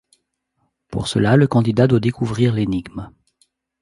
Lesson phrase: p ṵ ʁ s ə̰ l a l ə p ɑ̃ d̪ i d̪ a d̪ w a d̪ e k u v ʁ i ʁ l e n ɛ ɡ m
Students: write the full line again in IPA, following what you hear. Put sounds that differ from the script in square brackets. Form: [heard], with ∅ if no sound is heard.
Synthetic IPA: p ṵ ʁ s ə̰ l a l ə [k] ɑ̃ d̪ i d̪ a d̪ w a d̪ e k u v ʁ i ʁ l e n [i] ɡ m